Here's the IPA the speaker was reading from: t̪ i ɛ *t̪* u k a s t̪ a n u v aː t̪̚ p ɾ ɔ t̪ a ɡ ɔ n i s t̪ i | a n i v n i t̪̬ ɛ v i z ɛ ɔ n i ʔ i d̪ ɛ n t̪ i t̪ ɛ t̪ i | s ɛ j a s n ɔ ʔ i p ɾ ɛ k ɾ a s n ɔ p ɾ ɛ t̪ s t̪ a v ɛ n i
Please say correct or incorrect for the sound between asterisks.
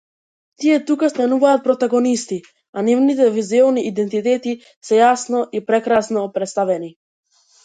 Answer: correct